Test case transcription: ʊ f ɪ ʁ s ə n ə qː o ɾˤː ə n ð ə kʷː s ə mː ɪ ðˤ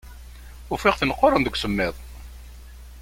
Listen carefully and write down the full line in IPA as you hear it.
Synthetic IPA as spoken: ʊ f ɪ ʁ θ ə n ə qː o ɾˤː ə n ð ə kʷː s ə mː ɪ ðˤ